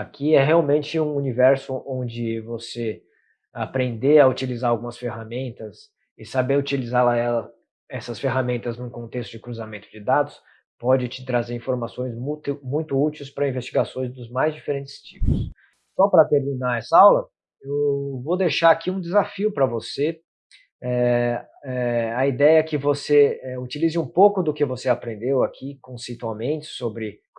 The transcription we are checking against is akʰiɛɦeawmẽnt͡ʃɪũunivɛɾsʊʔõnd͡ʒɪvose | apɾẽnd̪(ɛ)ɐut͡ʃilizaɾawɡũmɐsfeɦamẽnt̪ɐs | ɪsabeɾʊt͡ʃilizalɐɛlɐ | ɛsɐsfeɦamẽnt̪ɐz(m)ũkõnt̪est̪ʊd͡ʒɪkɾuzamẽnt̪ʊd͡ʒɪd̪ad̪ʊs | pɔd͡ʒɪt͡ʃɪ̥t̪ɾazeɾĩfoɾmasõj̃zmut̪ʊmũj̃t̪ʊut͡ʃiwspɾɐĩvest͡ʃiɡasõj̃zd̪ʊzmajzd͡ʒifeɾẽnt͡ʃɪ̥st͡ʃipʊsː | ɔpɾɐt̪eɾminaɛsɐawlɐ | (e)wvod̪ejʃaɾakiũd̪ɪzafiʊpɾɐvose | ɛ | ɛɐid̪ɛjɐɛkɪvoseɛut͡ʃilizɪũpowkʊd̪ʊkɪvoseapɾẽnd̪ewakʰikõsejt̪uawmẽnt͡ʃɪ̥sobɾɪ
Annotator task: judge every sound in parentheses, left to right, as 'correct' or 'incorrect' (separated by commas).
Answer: incorrect, incorrect, correct